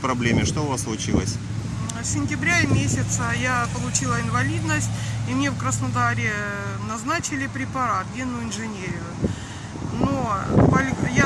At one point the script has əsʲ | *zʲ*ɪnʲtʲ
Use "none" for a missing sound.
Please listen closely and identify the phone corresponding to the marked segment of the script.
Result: sʲ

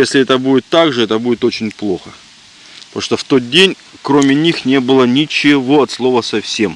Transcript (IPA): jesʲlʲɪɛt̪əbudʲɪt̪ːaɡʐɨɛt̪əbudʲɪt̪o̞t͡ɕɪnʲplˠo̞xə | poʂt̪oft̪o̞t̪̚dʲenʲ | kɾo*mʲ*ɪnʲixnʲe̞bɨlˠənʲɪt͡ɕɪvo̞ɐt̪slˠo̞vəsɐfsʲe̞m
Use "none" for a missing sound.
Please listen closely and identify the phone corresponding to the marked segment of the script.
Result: mʲ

